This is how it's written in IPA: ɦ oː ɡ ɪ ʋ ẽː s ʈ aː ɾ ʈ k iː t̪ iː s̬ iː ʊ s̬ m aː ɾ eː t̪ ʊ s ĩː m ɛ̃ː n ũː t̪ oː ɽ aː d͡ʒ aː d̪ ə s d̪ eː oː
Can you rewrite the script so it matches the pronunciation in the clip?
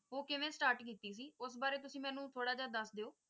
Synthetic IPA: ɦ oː k ɪ ʋ ẽː s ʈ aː ɾ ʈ k iː t̪ iː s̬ iː ʊ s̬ b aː ɾ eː t̪ ʊ s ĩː m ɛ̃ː n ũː t̪ʰ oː ɽ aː d͡ʒ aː d̪ ə s d̪ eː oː